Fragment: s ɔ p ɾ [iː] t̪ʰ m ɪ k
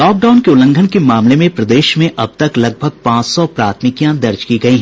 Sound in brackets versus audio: incorrect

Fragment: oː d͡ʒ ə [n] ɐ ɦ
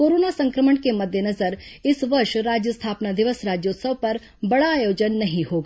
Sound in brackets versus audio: incorrect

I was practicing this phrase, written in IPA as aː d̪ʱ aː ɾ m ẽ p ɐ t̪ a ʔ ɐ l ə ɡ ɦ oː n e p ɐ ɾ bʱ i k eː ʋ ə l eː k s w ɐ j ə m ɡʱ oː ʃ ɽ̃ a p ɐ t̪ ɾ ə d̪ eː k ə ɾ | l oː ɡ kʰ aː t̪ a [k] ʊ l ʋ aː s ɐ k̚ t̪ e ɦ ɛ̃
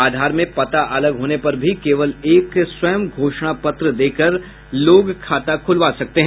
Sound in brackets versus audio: incorrect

